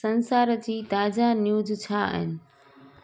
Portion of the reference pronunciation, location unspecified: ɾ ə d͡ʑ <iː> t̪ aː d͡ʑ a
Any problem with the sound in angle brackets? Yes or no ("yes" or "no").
no